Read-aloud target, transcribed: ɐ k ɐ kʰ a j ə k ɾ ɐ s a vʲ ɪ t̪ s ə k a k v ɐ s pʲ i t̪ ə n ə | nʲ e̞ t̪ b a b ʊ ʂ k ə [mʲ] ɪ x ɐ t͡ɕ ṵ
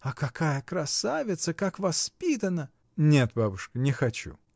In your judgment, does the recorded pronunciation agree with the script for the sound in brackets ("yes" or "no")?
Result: no